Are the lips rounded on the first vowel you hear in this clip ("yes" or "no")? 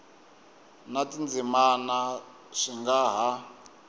no